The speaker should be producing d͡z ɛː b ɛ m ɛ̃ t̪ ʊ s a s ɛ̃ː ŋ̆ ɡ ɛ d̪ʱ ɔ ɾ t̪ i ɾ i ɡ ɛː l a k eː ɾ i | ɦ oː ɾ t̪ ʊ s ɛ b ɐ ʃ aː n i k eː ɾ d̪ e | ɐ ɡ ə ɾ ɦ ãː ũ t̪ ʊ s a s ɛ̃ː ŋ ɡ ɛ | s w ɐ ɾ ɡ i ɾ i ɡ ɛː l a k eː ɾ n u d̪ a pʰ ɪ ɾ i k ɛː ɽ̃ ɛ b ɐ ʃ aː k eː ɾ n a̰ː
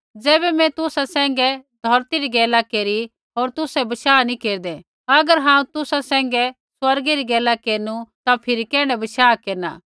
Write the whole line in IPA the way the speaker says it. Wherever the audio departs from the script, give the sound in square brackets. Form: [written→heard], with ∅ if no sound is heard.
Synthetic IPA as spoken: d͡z ɛː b ɛ m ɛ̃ t̪ ʊ s a s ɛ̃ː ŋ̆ ɡ ɛ d̪ʱ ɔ ɾ t̪ i ɾ i ɡ ɛː l a k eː ɾ i | ɦ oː ɾ t̪ ʊ s ɛ b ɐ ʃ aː n i k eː ɾ d̪ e | ɐ ɡ ə ɾ ɦ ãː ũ t̪ ʊ s a s ɛ̃ː ŋ ɡ ɛ | s w ɐ ɾ ɡ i ɾ i ɡ ɛː l a k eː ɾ n u [d̪→t̪] a pʰ ɪ ɾ i k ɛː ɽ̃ ɛ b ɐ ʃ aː k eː ɾ n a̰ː